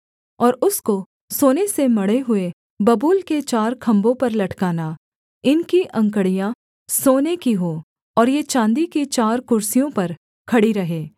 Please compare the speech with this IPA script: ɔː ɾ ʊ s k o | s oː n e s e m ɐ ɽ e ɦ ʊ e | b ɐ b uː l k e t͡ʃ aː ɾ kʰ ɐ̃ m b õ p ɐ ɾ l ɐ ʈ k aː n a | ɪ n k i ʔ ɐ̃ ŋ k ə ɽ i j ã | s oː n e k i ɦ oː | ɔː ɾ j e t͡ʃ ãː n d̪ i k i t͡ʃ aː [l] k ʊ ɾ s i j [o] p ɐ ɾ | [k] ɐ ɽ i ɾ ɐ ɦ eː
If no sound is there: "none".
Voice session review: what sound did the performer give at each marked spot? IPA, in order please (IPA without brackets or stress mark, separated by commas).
ɾ, õ, kʰ